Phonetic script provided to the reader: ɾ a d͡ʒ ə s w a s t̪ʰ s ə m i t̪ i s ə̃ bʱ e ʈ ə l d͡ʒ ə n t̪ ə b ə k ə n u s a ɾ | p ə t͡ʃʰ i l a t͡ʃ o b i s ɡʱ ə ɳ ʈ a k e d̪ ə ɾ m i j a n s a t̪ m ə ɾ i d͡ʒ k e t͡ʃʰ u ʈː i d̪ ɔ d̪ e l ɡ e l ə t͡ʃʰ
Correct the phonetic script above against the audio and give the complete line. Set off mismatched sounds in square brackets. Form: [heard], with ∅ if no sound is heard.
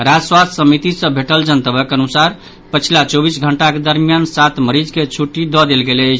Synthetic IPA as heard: ɾ a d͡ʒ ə s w a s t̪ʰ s ə m i t̪ i s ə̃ bʱ e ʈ ə l d͡ʒ ə n t̪ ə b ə k ə n u s a ɾ | p ə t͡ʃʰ i l a t͡ʃ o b i s ɡʱ ə ɳ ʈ a k e d̪ ə ɾ m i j a n s a t̪ m ə ɾ i d͡ʒ k e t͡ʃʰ u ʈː i d̪ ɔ d̪ e l ɡ e l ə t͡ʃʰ